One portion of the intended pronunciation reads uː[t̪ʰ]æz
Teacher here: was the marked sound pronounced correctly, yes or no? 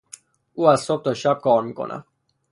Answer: no